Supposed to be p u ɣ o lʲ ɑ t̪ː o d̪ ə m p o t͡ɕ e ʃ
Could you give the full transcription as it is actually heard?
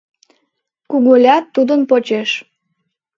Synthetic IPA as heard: k u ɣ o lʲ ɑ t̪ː u d̪ ə n p o t͡ɕ e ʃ